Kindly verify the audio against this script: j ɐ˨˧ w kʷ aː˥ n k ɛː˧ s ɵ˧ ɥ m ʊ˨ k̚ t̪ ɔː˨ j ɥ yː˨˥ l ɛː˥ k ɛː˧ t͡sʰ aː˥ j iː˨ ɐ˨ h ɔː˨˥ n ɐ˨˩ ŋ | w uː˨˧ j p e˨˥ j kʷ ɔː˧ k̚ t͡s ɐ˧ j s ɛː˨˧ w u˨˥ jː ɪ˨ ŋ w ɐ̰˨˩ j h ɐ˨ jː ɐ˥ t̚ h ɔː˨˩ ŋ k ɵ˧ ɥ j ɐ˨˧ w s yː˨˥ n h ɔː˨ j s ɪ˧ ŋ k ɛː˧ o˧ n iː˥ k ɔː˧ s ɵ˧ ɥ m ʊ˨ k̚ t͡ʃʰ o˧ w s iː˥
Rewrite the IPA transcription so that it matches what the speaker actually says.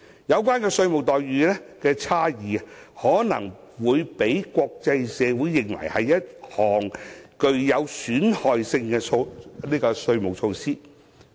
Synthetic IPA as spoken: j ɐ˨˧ w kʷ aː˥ n k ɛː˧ s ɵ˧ ɥ m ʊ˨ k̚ t̪ ɔː˨ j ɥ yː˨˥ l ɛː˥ k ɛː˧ t͡sʰ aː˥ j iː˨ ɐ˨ h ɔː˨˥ n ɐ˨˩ ŋ | w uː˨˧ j p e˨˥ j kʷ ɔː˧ k̚ t͡s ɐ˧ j s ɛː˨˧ w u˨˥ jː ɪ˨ ŋ w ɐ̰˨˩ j h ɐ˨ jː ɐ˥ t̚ h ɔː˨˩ ŋ k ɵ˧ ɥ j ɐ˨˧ w s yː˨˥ n h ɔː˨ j s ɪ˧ ŋ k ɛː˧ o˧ n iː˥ k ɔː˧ s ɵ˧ ɥ m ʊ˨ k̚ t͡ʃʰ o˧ w s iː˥

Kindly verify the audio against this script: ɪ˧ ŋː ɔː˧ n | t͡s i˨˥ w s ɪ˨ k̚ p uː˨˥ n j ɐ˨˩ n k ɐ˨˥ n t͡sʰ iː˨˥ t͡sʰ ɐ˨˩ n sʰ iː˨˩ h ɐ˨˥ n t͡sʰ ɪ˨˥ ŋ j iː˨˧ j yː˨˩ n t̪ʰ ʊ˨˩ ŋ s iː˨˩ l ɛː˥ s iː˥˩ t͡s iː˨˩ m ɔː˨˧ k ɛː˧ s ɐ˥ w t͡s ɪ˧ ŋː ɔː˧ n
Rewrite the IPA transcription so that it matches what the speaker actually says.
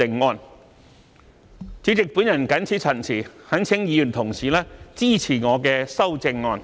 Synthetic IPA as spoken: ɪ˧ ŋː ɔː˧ n | t͡s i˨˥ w t͡s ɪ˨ k̚ p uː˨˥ n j ɐ˨˩ n k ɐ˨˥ n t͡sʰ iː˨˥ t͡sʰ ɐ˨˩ n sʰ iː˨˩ h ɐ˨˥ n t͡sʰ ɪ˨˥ ŋ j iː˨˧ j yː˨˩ n t̪ʰ ʊ˨˩ ŋ s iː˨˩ l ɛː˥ t͡s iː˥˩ t͡sʰ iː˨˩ ŋ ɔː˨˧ k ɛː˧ s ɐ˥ w t͡s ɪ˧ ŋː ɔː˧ n

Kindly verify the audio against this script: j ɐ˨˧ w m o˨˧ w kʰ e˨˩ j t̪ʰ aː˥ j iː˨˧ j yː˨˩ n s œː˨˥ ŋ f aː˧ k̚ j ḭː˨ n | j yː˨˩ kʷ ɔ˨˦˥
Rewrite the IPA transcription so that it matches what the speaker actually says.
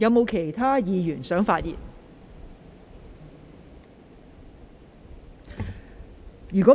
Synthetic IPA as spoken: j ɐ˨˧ w m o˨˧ w kʰ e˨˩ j t̪ʰ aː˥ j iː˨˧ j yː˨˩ n s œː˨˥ ŋ f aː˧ t̚ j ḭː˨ n | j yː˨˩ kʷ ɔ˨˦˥

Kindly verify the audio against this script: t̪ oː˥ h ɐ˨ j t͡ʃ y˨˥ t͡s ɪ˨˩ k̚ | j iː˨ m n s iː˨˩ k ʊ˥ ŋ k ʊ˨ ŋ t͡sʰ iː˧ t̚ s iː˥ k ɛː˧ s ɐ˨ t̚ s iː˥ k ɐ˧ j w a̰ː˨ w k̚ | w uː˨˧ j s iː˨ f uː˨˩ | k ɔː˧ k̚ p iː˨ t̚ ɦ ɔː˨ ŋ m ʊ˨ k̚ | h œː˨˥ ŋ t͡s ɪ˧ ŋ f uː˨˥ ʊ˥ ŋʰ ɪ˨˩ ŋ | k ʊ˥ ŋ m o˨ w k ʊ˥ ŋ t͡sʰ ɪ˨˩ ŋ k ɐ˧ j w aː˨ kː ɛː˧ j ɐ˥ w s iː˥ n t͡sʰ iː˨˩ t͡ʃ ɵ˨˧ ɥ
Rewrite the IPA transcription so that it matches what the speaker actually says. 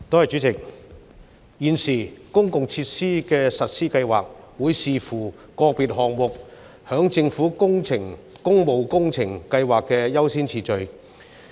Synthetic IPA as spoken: t̪ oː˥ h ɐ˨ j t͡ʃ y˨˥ t͡s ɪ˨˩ k̚ | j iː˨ n s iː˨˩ k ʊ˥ ŋ k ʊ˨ ŋ t͡sʰ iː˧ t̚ s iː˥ k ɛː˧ s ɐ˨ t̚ s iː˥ k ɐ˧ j w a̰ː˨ k̚ | w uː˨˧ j s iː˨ f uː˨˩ | k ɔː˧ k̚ p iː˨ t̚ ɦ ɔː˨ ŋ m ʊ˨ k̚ | h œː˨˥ ŋ t͡s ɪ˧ ŋ f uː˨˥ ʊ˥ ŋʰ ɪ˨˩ ŋ | k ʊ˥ ŋ m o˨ w k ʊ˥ ŋ t͡sʰ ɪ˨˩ ŋ k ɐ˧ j w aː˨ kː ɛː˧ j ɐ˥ w s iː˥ n t͡sʰ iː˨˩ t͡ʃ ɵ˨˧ ɥ

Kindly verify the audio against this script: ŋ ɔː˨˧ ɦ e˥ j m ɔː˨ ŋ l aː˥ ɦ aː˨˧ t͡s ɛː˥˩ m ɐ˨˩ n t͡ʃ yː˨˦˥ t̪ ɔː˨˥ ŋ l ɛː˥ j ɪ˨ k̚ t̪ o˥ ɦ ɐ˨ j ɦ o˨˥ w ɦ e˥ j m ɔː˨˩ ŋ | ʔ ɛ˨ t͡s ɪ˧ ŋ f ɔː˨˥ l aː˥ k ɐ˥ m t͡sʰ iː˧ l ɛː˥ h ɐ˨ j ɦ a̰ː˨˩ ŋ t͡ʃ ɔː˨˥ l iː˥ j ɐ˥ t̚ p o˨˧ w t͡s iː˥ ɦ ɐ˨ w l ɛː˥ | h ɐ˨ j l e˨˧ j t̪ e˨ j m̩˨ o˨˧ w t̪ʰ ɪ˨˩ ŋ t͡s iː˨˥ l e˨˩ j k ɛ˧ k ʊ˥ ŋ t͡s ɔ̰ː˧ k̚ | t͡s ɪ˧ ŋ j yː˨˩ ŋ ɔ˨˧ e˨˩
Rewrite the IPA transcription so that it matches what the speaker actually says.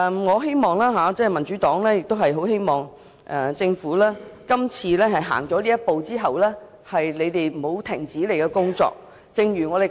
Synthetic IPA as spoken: ŋ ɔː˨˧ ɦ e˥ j m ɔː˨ ŋ l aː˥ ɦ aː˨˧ t͡s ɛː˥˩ m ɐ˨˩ n t͡ʃ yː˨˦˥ t̪ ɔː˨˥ ŋ l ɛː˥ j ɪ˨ k̚ t̪ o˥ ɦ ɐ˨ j ɦ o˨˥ w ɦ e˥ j m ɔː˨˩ ŋ | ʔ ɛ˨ t͡s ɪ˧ ŋ f uː˨˥ l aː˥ k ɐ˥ m t͡sʰ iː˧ l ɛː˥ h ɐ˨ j ɦ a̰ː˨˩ ŋ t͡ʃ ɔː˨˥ l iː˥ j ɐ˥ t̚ p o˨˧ w t͡s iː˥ ɦ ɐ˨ w l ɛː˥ | h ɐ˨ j l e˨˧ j t̪ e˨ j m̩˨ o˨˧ w t̪ʰ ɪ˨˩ ŋ t͡s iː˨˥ l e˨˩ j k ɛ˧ k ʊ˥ ŋ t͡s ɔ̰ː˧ k̚ | t͡s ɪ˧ ŋ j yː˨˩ ŋ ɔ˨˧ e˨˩

